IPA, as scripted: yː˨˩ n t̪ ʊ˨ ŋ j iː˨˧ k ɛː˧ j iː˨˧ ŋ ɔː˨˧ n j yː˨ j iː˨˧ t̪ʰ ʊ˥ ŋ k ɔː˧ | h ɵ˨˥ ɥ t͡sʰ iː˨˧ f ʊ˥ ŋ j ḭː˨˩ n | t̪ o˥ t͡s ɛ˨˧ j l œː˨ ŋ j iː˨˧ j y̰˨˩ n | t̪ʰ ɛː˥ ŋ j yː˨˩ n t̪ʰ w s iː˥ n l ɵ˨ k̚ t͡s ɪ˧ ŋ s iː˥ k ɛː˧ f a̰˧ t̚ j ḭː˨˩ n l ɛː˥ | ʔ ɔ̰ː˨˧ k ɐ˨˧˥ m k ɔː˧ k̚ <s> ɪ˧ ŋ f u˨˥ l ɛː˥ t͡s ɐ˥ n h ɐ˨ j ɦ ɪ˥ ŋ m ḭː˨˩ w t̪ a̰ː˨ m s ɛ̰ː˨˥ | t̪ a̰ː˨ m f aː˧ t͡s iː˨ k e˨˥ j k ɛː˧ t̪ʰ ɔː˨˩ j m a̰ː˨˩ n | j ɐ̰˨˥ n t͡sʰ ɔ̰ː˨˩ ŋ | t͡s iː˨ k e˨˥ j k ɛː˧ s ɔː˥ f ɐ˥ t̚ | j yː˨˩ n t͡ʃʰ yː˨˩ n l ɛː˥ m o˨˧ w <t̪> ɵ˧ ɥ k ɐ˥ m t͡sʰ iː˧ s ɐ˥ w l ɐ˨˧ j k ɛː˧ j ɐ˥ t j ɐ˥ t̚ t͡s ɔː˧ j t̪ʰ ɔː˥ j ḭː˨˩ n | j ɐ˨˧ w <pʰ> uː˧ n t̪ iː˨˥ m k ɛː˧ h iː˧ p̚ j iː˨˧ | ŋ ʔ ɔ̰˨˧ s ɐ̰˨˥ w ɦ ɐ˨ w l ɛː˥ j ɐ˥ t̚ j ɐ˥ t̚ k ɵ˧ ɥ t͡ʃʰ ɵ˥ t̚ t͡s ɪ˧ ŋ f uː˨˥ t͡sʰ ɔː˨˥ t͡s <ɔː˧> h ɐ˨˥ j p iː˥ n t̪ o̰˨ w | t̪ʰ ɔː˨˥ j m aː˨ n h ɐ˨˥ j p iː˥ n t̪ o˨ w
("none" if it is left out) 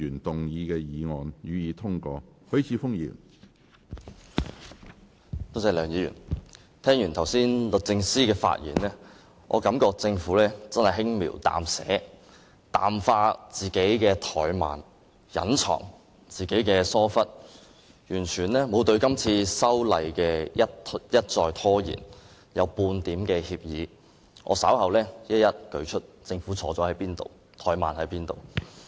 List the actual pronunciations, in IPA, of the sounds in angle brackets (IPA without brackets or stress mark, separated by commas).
t͡s, t̪, p, ɔː˨˥